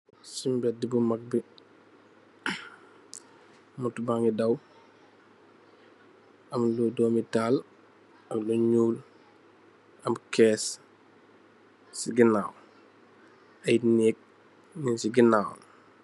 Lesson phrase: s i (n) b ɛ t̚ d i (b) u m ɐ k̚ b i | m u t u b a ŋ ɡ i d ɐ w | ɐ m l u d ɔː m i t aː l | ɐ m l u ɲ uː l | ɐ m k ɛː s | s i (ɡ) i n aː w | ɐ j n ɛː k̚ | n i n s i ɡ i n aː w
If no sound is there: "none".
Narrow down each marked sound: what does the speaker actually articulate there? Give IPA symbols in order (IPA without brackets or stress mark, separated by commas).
m, b, ɡ